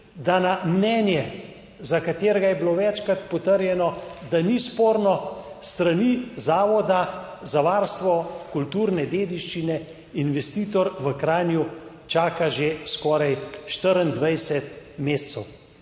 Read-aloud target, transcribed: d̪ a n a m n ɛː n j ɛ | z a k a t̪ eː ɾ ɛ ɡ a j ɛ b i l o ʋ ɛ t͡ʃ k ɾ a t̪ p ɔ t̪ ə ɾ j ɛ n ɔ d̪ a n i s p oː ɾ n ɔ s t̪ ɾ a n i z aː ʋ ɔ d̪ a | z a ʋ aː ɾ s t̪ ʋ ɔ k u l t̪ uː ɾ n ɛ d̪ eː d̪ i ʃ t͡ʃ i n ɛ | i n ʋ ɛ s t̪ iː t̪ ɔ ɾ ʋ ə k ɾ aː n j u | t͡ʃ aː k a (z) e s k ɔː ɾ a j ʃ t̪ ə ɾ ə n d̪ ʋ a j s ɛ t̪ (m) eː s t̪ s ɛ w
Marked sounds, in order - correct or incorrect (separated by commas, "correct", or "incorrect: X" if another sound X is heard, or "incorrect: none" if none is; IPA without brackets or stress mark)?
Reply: incorrect: ʒ, correct